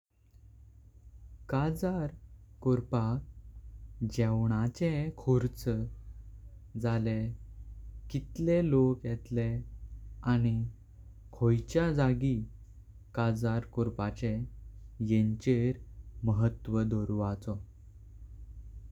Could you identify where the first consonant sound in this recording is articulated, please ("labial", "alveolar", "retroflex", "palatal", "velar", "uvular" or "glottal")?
velar